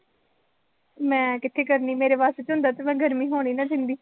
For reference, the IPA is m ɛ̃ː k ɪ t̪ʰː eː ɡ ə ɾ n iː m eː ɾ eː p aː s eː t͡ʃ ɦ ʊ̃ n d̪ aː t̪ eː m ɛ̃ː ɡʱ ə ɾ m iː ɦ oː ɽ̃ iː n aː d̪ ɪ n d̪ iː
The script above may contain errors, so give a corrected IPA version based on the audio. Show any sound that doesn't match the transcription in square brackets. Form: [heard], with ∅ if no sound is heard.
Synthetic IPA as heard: m ɛ̃ː k ɪ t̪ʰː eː [k] ə ɾ n iː m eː ɾ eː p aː s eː t͡ʃ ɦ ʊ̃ n d̪ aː t̪ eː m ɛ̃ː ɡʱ ə ɾ m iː ɦ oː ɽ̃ iː n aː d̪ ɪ n d̪ iː